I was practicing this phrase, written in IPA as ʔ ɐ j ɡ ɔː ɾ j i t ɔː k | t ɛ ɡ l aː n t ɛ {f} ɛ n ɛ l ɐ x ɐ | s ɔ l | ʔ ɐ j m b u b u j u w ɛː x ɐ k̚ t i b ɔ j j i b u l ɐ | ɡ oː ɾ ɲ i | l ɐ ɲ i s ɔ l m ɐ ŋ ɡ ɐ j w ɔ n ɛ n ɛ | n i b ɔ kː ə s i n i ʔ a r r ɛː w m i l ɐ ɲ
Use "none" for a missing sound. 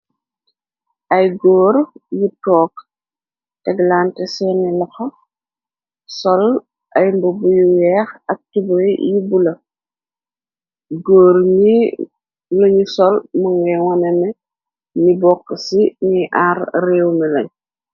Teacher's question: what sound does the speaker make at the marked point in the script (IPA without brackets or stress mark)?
s